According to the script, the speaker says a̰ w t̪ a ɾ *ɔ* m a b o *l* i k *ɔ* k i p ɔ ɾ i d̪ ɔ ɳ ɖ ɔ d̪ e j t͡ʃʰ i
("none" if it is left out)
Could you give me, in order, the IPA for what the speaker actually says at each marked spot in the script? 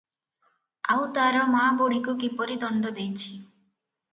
ɔ, ɽ, u

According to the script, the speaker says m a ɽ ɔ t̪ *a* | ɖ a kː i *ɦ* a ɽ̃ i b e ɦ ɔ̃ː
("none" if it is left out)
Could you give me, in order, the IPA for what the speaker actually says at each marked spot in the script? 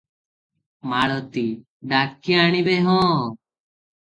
i, none

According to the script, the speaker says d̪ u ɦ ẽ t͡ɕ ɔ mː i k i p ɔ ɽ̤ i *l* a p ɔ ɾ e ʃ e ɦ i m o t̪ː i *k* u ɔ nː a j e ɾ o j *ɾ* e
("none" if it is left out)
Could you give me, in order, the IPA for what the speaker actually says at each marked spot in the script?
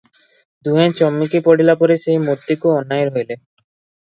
l, k, l

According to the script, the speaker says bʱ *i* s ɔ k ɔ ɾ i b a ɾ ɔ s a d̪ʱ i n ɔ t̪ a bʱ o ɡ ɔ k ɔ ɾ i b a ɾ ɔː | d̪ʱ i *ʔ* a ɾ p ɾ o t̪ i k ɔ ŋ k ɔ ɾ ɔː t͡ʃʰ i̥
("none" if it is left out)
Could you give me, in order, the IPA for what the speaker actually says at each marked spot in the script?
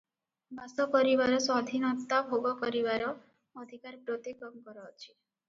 a, k

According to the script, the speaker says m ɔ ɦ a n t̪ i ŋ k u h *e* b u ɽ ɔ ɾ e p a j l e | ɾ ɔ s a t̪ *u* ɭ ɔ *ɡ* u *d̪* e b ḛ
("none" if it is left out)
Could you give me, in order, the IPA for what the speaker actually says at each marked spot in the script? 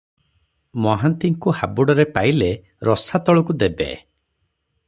a, ɔ, k, d̪

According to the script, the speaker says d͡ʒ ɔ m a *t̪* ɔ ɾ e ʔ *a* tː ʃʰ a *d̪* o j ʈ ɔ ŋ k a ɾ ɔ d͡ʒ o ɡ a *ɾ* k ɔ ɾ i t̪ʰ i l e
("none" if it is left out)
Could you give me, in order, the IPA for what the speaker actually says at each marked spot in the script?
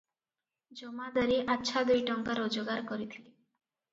d̪, a, d̪, ɾ

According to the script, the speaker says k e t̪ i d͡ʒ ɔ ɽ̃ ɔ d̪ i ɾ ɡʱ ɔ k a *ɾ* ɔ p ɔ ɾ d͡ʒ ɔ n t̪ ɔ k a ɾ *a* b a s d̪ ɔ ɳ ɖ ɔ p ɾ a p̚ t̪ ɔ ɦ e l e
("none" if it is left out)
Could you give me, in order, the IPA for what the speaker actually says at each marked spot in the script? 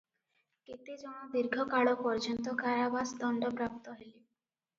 ɭ, a

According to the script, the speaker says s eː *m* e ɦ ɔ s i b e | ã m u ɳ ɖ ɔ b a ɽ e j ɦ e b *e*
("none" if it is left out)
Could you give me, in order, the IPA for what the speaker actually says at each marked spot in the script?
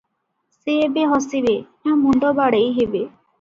b, e

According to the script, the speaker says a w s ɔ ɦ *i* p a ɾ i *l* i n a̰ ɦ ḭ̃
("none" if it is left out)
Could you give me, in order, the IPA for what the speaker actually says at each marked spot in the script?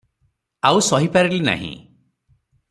i, l

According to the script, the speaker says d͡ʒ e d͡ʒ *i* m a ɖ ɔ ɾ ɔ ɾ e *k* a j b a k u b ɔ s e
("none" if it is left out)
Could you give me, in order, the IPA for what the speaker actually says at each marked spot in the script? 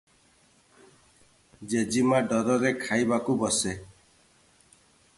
i, kʰ

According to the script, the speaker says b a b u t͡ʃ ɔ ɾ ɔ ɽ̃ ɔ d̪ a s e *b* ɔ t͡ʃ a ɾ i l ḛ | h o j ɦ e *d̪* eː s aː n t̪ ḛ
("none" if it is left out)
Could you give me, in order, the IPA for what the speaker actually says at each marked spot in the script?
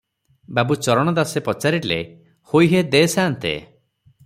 p, d̪

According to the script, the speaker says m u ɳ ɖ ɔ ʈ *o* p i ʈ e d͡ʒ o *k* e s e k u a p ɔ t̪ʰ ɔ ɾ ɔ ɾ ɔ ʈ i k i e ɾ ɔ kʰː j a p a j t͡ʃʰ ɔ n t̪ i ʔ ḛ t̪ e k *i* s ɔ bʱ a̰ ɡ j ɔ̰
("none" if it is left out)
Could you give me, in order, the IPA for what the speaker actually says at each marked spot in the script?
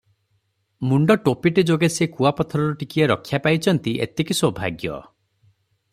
o, ɡ, i

